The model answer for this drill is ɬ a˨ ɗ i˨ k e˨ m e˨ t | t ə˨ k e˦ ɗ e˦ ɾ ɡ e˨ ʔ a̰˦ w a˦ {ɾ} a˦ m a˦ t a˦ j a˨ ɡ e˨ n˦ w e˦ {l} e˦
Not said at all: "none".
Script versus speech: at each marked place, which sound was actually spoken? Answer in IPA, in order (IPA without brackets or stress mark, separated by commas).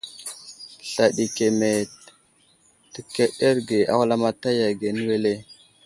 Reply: l, l